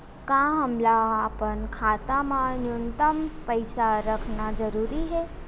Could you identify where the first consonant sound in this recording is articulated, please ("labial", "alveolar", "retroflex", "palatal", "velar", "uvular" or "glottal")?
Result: velar